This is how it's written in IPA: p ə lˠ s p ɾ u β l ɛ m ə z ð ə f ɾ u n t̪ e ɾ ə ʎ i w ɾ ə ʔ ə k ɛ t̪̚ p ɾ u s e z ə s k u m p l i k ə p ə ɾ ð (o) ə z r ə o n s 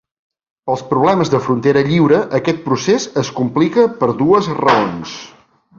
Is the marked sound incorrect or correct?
incorrect